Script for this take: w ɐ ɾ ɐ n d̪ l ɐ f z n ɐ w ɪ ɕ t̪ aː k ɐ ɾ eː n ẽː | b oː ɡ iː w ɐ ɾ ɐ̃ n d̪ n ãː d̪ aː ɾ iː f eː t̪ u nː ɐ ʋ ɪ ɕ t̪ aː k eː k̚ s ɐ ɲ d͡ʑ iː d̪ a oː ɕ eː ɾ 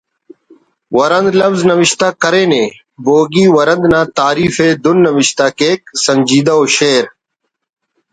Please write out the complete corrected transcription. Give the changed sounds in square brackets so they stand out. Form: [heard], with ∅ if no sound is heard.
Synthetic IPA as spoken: w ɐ ɾ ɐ n d̪ l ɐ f z n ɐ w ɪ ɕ t̪ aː k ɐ ɾ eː n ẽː | b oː ɡ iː w ɐ ɾ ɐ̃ n d̪ n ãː [t̪] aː ɾ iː f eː [d̪] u nː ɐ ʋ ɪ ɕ t̪ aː k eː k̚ s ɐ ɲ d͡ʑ iː d̪ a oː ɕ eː ɾ